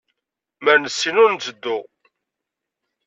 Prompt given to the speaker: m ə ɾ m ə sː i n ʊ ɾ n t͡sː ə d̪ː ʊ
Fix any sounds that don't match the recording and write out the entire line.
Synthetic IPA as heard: m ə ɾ n ə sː i n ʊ ɾ n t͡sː ə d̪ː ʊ